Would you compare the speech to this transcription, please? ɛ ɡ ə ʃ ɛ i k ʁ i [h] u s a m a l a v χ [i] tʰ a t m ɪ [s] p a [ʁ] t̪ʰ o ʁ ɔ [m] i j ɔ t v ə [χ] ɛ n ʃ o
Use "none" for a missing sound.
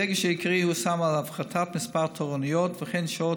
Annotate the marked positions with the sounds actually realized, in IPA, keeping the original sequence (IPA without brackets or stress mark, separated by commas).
h, a, s, ʁ, n, χ